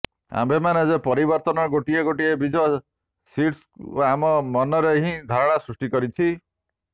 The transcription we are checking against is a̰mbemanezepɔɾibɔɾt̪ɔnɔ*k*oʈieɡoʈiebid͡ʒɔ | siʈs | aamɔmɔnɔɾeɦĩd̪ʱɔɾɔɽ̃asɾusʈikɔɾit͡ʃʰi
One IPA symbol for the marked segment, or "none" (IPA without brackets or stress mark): ɡ